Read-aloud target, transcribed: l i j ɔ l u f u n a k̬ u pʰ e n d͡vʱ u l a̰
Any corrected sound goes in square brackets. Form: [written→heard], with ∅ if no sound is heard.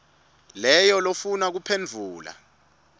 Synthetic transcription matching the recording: l [i→ɛ] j ɔ l [u→o] f u n a k̬ u pʰ e n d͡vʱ [u→uː] l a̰